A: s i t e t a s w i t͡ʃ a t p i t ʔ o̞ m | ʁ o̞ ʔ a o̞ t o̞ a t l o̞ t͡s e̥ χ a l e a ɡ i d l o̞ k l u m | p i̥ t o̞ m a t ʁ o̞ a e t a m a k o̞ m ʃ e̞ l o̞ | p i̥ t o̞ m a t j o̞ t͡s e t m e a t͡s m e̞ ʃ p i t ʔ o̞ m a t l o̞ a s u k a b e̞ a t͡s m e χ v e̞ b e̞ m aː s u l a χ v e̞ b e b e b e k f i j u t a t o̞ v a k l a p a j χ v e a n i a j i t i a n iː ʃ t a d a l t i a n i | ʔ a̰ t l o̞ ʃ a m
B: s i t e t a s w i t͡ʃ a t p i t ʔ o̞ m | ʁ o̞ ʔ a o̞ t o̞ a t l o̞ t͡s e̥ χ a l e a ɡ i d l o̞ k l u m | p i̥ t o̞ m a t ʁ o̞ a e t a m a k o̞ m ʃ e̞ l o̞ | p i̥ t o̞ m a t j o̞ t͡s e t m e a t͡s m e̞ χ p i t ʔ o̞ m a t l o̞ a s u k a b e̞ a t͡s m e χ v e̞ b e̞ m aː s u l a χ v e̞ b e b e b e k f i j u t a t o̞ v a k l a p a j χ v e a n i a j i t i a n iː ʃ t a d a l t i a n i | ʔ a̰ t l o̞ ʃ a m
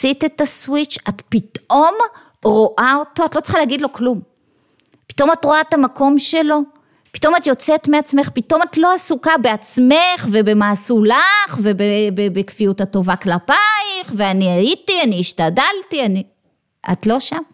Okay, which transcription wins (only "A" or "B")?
B